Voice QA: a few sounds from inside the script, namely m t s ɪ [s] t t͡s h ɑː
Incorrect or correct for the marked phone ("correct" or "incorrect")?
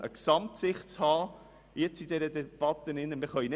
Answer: incorrect